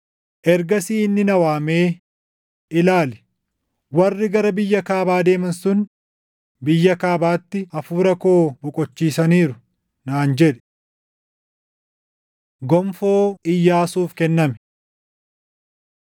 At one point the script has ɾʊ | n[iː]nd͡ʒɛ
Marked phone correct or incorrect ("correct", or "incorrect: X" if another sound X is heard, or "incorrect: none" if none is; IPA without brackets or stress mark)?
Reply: incorrect: aː